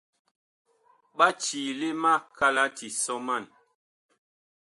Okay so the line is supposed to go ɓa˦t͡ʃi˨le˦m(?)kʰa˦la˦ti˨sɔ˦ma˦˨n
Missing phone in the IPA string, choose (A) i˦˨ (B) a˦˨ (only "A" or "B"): B